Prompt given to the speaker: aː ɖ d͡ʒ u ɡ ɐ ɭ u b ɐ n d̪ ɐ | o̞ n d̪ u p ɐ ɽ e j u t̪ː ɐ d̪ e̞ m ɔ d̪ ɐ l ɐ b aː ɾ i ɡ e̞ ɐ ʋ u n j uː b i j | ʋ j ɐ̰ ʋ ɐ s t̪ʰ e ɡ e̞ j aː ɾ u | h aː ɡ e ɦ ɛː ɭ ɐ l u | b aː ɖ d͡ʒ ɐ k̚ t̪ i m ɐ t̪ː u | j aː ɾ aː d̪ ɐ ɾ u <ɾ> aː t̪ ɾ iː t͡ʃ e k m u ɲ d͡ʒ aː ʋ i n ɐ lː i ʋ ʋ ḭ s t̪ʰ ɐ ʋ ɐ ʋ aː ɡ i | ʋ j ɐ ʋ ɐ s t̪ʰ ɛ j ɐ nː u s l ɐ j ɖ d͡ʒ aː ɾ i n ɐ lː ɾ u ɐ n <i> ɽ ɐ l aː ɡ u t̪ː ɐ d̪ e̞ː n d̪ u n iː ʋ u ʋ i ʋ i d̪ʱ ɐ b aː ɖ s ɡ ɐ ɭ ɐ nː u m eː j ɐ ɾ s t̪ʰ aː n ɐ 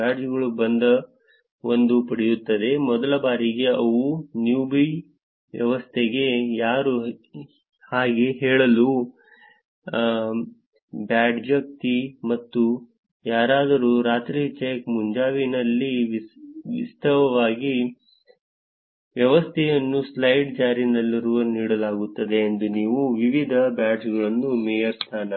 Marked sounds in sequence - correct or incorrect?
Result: correct, incorrect: iː

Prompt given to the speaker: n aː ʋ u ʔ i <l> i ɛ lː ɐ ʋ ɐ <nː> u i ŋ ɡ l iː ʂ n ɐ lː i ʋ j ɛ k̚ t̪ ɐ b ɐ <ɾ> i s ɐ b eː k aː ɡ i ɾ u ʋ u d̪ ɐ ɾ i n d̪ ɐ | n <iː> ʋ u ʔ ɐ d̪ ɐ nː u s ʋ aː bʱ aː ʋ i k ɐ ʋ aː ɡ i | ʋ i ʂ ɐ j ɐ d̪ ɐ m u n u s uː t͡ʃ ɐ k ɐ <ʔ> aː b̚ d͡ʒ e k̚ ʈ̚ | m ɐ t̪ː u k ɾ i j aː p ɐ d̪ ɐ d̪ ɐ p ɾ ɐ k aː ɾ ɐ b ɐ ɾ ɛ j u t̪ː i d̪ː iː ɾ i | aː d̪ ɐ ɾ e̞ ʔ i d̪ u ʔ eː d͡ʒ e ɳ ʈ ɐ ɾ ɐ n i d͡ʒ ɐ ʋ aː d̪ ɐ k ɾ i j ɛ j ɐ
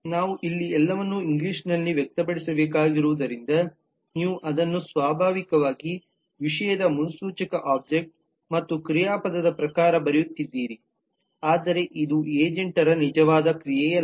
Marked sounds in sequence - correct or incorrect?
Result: incorrect: lː, correct, incorrect: ɽ, correct, correct

